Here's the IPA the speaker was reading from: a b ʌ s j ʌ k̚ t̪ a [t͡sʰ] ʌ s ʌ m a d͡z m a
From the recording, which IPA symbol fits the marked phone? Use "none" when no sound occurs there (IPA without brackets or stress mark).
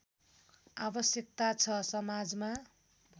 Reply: t͡sʰ